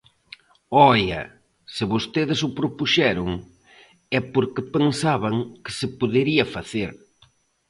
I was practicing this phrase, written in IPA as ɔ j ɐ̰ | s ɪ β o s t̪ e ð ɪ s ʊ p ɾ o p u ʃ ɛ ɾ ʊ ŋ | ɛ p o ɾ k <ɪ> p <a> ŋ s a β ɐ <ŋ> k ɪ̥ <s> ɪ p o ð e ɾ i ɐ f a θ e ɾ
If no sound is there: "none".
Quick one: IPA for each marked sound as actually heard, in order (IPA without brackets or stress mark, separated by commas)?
ɪ, e, ŋ, s